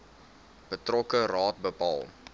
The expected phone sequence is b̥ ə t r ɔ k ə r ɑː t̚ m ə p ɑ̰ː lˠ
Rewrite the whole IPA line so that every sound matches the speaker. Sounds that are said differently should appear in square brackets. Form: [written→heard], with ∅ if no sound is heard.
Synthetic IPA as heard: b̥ ə t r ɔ k ə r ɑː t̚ [m→b] ə p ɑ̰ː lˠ

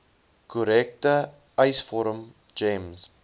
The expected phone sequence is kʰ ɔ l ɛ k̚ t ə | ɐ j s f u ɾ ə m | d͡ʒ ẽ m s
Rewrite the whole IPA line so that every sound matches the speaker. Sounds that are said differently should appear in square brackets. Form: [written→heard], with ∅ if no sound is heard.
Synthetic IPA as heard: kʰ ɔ [l→ɾ] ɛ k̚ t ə | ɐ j s f [u→ɔ] ɾ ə m | d͡ʒ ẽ m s

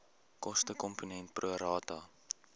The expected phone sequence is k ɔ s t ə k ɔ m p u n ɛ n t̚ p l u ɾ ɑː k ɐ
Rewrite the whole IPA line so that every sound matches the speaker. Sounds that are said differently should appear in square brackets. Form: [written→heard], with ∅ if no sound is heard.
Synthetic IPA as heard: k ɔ s t ə k ɔ m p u n ɛ n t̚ p [l→r] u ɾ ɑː [k→t] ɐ

